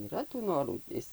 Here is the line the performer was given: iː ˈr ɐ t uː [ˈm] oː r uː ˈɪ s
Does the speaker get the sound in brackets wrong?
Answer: yes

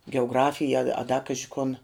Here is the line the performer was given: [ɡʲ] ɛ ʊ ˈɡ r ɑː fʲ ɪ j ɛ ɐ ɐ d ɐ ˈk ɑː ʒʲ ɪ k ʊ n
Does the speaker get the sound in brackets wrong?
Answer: no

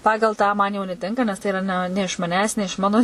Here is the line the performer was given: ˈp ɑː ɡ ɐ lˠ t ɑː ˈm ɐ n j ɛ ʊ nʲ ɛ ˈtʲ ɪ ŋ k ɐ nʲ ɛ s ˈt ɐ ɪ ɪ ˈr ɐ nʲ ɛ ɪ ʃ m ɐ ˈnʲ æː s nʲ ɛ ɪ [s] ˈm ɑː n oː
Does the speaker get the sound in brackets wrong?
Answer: yes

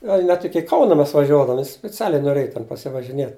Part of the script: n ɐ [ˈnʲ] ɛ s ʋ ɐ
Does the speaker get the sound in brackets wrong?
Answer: yes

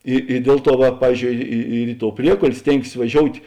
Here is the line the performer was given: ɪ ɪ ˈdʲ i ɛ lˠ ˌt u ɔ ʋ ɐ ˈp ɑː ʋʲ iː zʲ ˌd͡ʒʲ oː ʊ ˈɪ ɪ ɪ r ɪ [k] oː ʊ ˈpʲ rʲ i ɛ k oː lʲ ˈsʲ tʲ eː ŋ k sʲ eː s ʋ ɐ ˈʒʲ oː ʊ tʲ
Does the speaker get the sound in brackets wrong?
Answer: yes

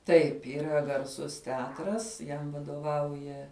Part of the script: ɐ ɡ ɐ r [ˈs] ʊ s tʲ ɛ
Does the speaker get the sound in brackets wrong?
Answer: no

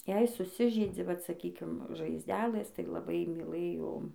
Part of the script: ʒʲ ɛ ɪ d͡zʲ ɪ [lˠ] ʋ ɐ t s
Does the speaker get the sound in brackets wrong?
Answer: yes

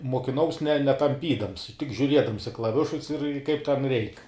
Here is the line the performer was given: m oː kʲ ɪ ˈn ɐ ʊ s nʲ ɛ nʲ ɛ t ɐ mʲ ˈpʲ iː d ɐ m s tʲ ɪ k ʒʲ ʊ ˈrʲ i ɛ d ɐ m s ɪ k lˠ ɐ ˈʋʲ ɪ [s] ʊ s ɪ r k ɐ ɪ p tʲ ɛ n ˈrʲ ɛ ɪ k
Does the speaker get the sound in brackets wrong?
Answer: yes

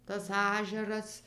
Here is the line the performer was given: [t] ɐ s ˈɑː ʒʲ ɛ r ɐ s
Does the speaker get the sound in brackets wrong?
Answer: no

